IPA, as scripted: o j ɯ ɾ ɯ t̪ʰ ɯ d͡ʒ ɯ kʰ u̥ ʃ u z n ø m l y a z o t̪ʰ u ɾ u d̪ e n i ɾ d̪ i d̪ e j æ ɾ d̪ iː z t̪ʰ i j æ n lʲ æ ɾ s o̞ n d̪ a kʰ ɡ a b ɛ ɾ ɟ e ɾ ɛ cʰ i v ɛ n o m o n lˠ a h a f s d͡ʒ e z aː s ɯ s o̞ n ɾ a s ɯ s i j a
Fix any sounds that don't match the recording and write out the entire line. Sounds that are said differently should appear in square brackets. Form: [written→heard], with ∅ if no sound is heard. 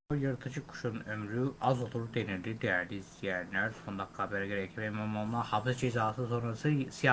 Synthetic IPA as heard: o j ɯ ɾ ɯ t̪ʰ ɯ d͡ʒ ɯ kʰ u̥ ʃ u [z→∅] n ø m [l→ɾ] y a z o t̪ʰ u ɾ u d̪ e n i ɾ d̪ i d̪ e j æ ɾ d̪ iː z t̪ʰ i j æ n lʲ æ ɾ s o̞ n d̪ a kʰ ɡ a b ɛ ɾ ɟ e ɾ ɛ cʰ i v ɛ [n→m] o m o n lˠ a h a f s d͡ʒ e z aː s ɯ s o̞ n ɾ a s ɯ s i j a